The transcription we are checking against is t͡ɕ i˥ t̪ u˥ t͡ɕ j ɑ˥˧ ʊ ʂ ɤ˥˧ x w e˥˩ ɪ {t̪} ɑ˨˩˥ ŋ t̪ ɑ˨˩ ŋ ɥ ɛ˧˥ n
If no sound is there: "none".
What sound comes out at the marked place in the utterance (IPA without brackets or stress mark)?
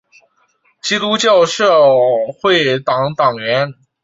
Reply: t̪